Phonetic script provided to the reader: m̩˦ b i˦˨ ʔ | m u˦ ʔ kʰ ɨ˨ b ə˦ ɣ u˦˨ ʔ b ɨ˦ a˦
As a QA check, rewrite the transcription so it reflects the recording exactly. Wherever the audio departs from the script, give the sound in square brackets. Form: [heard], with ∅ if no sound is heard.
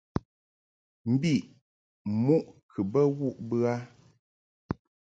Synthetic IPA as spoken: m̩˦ b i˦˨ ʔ | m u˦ ʔ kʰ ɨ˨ b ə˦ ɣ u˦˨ ʔ b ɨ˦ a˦